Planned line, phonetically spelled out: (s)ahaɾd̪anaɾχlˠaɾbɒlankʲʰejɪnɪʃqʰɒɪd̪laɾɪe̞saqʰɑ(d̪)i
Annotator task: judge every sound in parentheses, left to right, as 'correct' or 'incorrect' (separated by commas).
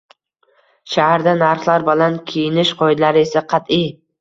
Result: incorrect, incorrect